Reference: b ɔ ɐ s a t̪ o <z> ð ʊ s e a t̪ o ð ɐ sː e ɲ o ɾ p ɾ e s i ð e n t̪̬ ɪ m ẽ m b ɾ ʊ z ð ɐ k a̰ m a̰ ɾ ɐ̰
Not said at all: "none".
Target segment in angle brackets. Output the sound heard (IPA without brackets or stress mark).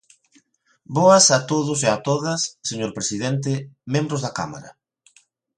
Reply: none